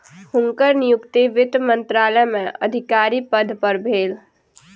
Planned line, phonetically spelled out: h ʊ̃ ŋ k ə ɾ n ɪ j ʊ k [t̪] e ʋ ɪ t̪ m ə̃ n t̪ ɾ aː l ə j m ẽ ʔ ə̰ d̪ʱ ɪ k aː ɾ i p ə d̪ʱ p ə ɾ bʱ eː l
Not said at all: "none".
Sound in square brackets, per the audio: t̪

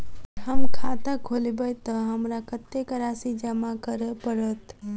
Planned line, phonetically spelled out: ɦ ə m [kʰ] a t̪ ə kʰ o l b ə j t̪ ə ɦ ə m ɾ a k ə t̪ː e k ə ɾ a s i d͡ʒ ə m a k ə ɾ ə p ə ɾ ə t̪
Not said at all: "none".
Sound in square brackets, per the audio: kʰ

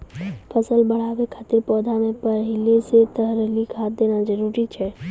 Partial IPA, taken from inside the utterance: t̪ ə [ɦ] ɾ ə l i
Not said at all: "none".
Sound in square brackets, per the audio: ɦ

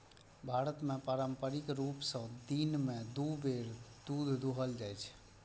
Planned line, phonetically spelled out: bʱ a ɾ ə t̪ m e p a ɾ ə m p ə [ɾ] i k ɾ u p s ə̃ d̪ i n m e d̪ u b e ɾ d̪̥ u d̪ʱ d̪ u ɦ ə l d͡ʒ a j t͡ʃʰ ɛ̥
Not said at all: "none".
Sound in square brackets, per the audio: ɾ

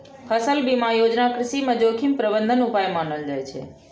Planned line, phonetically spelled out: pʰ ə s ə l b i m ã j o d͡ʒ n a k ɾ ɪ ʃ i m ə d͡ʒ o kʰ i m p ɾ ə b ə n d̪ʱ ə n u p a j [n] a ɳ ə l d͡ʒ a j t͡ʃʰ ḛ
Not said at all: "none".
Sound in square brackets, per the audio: m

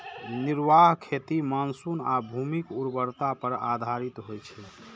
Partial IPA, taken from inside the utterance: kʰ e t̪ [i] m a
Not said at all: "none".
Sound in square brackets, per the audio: i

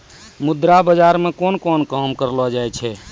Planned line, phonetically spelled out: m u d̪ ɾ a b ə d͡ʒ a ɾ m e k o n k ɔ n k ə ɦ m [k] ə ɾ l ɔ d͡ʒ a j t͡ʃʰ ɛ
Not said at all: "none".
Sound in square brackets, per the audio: k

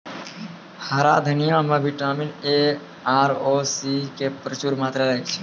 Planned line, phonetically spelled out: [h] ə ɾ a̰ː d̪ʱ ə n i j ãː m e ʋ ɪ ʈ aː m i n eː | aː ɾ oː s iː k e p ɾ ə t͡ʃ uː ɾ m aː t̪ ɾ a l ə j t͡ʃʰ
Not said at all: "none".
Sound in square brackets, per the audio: h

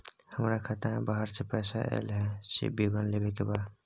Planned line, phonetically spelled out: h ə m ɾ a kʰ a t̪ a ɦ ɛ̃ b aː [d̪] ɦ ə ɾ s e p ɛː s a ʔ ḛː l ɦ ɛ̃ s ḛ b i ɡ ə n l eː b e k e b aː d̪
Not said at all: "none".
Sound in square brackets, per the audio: none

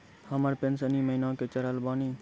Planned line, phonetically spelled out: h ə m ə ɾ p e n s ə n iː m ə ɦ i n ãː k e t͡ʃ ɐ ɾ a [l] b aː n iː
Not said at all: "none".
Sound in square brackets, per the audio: l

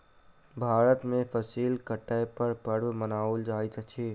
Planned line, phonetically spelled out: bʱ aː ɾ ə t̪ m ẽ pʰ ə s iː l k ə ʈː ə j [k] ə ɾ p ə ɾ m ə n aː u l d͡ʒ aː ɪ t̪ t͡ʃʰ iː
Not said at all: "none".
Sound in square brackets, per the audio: p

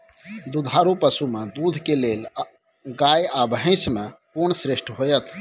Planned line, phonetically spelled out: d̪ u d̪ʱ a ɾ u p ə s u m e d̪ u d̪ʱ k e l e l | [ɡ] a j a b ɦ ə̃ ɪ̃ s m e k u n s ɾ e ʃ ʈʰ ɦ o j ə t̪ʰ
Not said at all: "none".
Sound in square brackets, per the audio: ɡ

